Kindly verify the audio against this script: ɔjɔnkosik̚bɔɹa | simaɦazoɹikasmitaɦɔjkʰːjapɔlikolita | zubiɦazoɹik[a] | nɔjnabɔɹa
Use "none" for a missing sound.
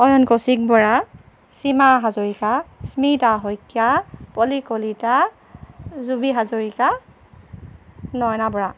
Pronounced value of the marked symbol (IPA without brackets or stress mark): a